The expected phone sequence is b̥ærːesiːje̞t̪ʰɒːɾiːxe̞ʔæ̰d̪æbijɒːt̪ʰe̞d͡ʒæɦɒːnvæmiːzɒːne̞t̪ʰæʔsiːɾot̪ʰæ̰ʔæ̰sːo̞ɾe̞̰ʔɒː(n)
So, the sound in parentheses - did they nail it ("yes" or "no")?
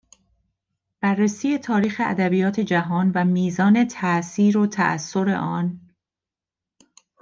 yes